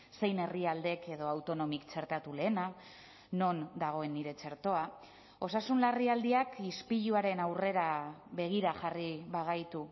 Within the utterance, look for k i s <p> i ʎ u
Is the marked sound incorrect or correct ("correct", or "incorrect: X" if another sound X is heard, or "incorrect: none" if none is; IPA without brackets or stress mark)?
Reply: correct